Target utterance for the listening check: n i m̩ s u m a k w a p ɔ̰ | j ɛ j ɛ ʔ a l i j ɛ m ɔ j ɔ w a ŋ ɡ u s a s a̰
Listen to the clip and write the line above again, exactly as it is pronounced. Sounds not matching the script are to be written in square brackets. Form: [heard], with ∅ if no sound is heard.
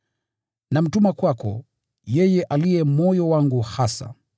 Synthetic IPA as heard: n [a] m̩ [t] u m a k w a [k] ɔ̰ | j ɛ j ɛ ʔ a l i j ɛ m ɔ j ɔ w a ŋ ɡ u [h] a s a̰